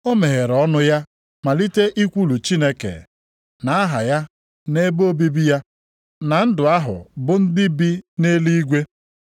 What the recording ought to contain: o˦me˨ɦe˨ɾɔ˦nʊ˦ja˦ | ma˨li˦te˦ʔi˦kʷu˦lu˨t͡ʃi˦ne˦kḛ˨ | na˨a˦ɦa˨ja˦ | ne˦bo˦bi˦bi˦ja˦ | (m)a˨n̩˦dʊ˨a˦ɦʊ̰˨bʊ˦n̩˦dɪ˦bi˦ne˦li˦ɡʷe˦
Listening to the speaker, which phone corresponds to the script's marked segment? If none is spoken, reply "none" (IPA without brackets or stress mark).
n